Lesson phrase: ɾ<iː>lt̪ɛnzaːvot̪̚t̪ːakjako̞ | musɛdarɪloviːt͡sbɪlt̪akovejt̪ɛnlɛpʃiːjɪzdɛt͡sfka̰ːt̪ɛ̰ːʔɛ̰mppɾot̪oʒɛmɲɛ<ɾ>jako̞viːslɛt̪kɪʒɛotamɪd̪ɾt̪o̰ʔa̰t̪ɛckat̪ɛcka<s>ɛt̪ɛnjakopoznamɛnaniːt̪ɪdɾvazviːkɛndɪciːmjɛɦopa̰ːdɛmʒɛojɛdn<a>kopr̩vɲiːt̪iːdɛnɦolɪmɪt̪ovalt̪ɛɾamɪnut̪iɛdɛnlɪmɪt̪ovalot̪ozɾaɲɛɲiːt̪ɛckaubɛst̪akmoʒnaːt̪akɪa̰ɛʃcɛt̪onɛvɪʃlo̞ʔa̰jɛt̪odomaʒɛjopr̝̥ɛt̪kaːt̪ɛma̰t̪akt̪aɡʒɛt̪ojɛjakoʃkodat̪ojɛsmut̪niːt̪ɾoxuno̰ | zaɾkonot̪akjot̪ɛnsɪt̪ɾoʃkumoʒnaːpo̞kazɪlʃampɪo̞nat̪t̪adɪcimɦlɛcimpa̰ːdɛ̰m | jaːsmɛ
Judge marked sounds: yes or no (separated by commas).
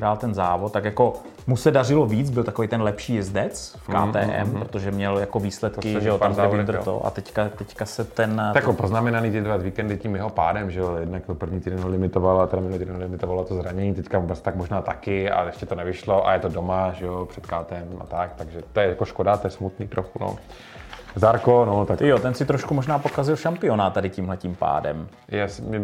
no, no, yes, yes